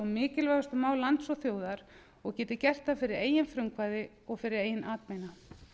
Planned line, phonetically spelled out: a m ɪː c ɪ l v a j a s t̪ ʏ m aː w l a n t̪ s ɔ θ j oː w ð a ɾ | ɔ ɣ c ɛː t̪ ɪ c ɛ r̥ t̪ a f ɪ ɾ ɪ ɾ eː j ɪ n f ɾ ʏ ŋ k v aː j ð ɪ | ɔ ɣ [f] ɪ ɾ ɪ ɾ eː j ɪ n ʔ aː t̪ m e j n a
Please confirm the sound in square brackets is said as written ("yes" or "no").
yes